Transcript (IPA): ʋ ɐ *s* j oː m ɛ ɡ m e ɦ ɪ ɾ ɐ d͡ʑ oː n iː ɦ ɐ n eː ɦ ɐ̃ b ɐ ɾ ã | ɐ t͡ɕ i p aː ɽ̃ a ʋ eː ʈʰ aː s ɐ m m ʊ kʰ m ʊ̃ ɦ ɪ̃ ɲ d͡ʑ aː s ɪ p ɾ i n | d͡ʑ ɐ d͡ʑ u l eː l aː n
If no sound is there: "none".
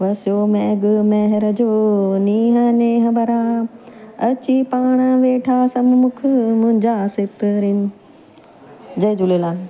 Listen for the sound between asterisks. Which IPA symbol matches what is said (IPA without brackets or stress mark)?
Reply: s